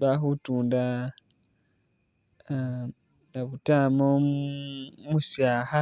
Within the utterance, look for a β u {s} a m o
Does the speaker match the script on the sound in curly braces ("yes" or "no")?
no